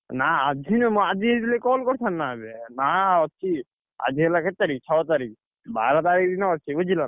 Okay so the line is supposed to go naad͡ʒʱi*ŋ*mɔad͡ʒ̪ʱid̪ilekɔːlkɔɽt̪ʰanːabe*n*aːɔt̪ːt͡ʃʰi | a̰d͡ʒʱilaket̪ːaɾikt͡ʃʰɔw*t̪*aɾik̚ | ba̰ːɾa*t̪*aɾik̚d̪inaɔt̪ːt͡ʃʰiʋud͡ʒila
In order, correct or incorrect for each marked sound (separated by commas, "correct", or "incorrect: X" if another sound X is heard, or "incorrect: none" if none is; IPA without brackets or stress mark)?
incorrect: n, correct, correct, correct